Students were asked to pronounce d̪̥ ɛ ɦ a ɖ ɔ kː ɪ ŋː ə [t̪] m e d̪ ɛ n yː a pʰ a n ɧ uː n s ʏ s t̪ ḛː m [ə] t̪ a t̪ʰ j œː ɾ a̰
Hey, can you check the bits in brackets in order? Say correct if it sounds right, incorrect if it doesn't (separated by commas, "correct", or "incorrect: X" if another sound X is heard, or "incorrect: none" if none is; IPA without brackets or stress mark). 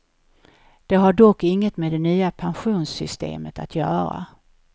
correct, correct